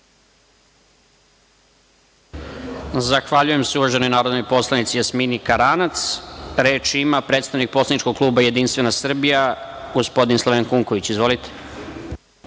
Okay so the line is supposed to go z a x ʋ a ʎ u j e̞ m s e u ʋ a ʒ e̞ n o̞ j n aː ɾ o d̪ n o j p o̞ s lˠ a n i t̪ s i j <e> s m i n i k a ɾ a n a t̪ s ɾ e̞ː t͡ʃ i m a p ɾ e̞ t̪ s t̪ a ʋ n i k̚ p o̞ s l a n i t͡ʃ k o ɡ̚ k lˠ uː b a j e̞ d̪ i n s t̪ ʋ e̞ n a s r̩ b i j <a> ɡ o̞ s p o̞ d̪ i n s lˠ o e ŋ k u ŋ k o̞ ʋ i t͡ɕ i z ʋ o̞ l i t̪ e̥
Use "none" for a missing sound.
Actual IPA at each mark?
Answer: a, a

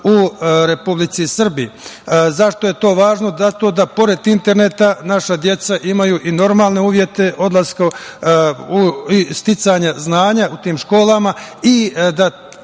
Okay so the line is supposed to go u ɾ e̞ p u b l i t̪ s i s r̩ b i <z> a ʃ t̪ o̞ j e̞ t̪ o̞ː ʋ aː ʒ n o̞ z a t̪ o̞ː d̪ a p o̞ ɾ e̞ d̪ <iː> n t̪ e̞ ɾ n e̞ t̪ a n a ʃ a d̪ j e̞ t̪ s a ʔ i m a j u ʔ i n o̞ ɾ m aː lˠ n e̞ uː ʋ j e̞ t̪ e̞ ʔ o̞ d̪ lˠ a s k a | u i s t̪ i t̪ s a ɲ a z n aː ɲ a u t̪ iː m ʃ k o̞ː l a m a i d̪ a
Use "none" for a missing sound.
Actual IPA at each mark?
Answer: z, i

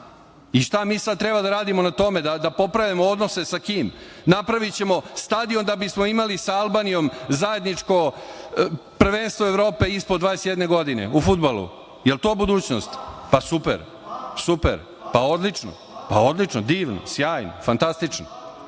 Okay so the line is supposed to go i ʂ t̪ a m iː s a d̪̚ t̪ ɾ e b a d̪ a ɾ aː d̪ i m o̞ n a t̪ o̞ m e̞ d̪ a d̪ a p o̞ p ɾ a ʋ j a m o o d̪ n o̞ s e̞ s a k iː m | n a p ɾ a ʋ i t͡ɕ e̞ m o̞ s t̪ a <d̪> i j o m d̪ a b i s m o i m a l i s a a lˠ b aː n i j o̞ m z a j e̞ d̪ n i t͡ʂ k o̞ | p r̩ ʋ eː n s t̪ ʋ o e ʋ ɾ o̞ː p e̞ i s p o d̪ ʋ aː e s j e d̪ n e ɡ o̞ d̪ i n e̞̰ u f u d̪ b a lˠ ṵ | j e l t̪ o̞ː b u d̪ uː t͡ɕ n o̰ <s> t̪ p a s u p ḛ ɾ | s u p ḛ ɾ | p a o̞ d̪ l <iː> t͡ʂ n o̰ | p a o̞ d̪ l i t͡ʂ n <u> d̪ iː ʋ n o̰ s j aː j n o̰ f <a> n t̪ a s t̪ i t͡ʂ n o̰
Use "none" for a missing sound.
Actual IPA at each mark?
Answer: d̪, s, i, o, a

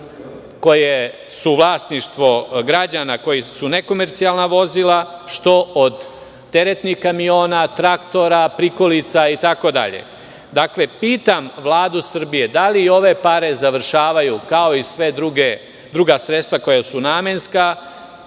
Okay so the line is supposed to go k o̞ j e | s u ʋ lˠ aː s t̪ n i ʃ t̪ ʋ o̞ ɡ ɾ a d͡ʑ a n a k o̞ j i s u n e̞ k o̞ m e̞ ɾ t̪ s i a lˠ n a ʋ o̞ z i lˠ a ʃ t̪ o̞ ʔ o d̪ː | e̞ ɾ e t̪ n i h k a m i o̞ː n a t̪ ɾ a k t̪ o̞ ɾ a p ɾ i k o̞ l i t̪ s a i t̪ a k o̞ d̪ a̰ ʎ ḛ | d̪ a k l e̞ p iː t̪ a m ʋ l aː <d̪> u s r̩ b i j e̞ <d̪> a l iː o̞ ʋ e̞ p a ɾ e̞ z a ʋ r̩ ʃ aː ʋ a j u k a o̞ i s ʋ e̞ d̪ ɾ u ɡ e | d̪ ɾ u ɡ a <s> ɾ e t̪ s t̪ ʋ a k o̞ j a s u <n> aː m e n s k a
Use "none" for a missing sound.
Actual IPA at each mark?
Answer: d̪, d̪, s, n

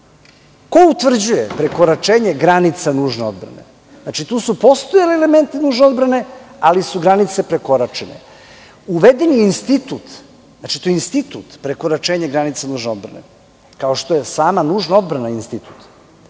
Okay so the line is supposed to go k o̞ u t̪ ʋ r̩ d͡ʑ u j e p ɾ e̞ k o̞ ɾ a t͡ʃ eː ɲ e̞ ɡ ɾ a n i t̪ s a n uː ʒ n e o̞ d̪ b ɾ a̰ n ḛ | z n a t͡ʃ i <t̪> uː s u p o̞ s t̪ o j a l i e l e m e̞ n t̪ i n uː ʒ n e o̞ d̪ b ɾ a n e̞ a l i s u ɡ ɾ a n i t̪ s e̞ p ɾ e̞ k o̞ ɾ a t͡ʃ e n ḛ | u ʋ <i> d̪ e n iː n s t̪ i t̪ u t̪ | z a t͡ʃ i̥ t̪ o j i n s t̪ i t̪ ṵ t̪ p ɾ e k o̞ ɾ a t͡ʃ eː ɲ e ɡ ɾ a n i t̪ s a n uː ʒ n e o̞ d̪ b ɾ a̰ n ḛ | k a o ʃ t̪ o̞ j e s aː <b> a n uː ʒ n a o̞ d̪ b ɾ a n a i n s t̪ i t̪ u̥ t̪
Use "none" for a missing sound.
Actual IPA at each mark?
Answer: t̪, e, m

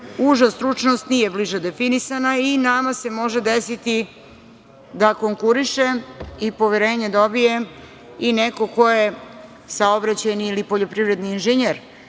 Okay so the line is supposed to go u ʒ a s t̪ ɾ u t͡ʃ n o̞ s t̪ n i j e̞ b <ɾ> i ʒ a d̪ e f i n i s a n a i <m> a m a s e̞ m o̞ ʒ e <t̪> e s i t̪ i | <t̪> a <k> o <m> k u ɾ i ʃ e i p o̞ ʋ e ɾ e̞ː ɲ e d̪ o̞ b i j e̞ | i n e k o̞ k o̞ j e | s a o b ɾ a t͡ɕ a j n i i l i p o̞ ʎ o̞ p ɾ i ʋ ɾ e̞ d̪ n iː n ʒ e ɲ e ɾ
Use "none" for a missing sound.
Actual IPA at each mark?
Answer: l, n, d̪, d̪, k, ŋ

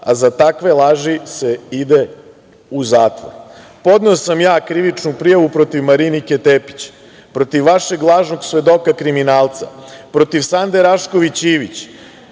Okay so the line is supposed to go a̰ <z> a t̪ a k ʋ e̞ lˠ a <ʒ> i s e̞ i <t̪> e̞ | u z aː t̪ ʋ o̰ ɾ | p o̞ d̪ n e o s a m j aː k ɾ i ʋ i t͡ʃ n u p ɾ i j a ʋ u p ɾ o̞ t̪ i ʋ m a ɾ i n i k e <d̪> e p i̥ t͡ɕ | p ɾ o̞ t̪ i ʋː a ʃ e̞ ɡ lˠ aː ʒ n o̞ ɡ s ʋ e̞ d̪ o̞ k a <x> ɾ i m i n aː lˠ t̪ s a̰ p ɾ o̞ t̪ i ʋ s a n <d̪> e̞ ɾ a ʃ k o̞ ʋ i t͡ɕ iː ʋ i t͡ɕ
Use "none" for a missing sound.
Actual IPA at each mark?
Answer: z, ʒ, d̪, t̪, k, d̪

